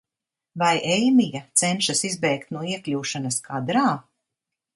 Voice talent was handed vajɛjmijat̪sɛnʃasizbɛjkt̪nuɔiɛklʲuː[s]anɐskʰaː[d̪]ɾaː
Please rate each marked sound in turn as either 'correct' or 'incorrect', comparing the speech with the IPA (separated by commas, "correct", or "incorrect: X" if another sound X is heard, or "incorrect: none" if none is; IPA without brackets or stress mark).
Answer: incorrect: ʃ, correct